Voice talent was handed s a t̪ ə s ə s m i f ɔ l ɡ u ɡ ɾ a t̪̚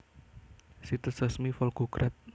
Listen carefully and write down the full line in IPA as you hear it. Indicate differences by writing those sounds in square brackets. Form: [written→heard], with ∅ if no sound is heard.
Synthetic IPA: s [a→i] t̪ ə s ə s m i f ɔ l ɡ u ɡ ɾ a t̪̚